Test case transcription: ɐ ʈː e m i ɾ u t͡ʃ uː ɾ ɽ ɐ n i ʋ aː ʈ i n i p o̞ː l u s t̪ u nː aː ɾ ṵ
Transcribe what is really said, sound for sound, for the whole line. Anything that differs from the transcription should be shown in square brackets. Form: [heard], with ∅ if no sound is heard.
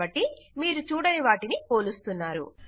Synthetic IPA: ɐ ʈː [i] m [iː] ɾ u t͡ʃ uː [∅] ɽ ɐ n i ʋ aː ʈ i n i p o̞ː l u s t̪ u nː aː ɾ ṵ

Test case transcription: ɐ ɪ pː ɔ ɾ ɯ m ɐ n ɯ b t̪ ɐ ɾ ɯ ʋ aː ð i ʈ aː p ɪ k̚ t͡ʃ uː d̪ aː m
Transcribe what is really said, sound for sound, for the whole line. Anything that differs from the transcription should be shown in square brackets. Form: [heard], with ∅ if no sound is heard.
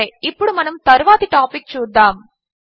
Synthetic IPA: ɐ ɪ pː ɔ [ɽ] ɯ m ɐ n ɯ [m] t̪ ɐ ɾ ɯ ʋ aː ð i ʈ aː p ɪ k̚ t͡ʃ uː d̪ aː m

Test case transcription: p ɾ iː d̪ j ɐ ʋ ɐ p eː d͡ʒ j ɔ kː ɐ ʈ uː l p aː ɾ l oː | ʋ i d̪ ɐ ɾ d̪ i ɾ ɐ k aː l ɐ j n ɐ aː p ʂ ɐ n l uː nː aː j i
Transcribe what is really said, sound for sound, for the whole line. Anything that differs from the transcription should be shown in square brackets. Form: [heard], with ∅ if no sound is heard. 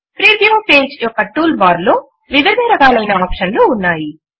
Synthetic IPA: p ɾ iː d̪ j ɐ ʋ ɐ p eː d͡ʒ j ɔ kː ɐ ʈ uː l [b] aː ɾ l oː | ʋ i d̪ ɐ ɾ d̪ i ɾ ɐ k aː l ɐ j n ɐ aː p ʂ ɐ n l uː nː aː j i

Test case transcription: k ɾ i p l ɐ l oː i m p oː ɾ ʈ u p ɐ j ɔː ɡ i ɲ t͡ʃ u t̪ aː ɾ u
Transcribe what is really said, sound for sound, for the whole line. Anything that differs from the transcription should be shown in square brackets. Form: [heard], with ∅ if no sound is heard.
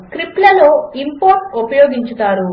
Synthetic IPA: k ɾ i p l ɐ l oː i m p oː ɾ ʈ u p ɐ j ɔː ɡ i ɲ t͡ʃ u t̪ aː ɾ u

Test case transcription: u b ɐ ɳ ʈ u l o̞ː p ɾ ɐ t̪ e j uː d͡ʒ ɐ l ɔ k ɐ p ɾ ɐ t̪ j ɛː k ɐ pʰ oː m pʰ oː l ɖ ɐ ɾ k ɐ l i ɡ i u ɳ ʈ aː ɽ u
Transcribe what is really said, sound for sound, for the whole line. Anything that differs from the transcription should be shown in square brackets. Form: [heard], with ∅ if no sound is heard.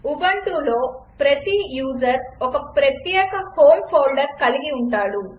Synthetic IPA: u b ɐ ɳ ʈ u l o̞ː p ɾ ɐ t̪ [i] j uː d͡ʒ ɐ [ɾ] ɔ k ɐ p ɾ ɐ t̪ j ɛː k ɐ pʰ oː m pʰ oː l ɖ ɐ ɾ k ɐ l i ɡ i u ɳ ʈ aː ɽ u

